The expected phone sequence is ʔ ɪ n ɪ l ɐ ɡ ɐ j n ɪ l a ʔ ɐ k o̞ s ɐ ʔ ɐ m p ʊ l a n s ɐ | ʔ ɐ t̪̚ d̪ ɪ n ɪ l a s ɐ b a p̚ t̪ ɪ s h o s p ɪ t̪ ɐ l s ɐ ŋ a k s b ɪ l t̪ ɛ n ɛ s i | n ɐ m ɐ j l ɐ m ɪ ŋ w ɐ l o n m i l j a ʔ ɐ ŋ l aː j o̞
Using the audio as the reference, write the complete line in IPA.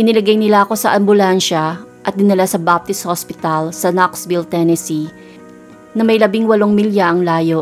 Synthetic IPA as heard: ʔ ɪ n ɪ l ɐ ɡ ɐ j n ɪ l a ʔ ɐ k o̞ s ɐ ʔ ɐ m b ʊ l a n ʃ ɐ | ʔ ɐ t̪̚ d̪ ɪ n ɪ l a s ɐ b a p̚ t̪ ɪ s h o s p ɪ t̪ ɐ l s ɐ n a k s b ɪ l t̪ ɛ n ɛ s i | n ɐ m ɐ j l ɐ b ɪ ŋ w ɐ l o ŋ m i l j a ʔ ɐ ŋ l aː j o̞